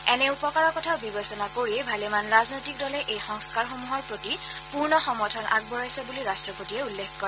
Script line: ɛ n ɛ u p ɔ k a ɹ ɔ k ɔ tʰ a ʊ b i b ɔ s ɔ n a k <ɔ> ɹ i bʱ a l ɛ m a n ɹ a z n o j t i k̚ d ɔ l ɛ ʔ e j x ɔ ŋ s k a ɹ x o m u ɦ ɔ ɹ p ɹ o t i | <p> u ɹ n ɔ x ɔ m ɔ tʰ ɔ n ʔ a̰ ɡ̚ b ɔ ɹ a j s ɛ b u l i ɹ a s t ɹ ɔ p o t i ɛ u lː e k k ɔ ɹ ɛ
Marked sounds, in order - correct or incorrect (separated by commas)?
incorrect, correct